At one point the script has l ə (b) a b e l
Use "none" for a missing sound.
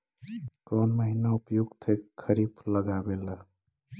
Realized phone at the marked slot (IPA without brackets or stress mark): ɡ